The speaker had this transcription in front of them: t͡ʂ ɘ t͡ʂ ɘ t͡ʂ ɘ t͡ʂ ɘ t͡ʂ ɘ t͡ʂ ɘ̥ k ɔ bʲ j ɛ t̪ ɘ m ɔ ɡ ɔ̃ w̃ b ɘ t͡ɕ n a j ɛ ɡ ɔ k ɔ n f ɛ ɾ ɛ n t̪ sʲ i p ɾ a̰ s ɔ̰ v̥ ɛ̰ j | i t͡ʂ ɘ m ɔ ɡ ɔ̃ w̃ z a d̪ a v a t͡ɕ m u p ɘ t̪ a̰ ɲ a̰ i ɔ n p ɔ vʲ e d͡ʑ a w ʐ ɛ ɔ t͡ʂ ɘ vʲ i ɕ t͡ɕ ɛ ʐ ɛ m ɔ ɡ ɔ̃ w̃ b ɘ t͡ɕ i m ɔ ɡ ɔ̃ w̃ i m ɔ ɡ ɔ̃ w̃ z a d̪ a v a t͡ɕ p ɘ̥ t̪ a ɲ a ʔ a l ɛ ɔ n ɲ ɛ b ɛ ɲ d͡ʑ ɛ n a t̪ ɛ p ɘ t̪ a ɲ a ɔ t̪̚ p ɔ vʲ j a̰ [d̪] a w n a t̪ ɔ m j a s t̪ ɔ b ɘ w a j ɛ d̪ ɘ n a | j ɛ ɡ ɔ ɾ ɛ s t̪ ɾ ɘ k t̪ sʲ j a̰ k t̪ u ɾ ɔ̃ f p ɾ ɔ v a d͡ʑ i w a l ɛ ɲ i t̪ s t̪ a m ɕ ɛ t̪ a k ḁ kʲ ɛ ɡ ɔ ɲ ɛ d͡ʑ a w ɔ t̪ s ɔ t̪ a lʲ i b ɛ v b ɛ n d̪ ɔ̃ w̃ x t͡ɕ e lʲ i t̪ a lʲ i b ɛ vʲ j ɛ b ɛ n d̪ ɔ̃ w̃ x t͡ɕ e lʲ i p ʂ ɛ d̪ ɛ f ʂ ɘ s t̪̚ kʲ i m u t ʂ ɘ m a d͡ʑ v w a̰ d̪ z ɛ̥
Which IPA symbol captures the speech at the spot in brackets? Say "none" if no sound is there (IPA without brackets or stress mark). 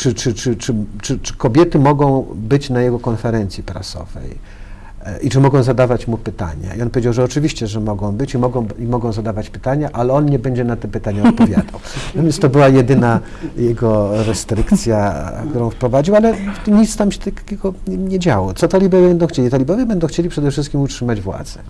d̪